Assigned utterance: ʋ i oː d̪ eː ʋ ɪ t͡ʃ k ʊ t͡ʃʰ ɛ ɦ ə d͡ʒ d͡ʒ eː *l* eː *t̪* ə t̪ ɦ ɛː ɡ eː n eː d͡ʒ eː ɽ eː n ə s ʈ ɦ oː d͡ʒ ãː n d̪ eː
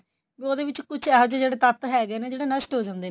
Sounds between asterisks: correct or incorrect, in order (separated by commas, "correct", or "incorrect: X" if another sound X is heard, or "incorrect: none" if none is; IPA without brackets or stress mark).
incorrect: ɽ, correct